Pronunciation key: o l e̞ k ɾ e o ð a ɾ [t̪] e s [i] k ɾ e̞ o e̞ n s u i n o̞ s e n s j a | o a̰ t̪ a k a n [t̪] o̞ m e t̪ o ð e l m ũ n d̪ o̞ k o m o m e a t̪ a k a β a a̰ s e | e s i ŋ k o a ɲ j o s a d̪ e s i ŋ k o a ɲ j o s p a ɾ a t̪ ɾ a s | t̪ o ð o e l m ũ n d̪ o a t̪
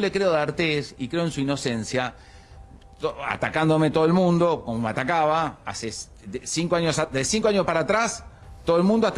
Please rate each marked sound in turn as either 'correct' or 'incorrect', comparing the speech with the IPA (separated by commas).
correct, correct, incorrect